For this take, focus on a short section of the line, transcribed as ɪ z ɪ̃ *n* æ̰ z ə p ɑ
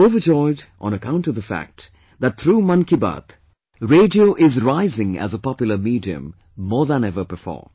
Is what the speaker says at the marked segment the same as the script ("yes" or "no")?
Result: no